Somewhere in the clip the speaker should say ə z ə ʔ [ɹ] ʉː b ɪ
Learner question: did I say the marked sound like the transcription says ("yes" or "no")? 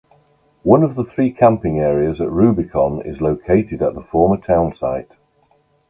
yes